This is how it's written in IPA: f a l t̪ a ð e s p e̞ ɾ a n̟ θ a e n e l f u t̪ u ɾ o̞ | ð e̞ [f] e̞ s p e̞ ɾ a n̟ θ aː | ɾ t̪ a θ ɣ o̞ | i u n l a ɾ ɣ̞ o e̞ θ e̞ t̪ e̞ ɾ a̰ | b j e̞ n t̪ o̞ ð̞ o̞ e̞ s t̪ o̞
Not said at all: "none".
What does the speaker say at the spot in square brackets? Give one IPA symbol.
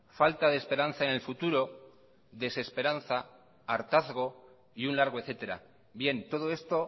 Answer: s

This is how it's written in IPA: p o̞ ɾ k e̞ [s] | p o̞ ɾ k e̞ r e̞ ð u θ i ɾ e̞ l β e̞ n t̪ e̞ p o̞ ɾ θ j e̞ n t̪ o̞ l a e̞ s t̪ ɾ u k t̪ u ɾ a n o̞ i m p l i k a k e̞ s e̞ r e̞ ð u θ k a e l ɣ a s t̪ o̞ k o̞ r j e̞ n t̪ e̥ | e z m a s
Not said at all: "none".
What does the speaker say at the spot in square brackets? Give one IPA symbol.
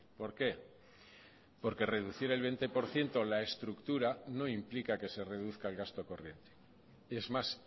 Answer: none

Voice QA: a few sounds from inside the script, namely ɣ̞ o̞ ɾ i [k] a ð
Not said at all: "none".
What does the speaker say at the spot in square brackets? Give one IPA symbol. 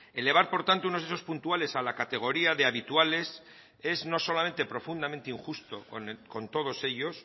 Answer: none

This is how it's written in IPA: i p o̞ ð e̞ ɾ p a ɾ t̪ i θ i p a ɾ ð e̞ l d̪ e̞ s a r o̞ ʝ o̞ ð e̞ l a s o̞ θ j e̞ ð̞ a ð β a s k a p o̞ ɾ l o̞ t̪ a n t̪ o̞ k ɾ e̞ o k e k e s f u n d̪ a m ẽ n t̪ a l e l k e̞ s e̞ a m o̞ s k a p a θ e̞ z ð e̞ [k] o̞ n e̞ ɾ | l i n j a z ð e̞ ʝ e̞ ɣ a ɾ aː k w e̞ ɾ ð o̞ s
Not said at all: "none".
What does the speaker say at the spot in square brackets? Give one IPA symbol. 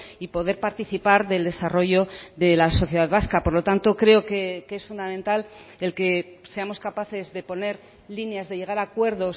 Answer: p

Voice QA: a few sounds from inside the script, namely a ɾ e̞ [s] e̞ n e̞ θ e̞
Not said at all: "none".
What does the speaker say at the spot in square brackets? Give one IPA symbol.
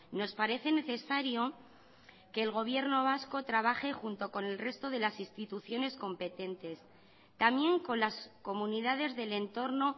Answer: θ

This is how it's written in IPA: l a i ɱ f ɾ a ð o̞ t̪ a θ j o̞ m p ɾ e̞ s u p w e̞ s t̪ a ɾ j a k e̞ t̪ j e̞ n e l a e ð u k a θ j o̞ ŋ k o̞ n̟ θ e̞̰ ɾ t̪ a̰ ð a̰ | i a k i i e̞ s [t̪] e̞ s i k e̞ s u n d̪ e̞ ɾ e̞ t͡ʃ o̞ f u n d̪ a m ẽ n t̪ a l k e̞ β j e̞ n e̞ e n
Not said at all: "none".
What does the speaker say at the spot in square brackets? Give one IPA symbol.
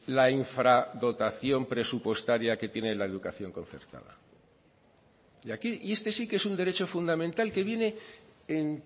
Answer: t̪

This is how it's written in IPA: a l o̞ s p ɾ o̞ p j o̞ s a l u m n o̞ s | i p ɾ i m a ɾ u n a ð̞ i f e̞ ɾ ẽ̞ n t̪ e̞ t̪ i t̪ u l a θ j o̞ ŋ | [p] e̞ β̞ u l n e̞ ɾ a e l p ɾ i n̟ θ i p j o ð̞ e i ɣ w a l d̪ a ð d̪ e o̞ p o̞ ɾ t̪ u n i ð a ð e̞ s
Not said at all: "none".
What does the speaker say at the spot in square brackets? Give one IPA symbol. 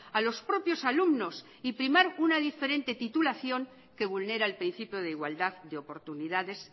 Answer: k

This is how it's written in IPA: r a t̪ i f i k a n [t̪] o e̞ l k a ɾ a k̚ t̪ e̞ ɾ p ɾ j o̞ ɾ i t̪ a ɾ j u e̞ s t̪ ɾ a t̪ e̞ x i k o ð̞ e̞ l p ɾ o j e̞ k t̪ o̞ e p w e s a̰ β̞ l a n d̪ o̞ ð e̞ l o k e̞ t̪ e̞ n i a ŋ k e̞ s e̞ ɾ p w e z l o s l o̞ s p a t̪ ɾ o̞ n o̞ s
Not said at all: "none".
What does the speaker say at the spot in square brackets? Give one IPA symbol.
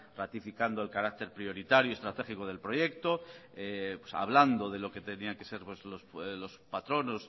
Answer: d̪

